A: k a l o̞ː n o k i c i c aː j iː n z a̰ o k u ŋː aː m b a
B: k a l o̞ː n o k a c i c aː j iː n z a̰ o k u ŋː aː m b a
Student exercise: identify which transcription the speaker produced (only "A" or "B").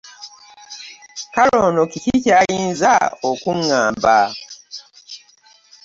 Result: A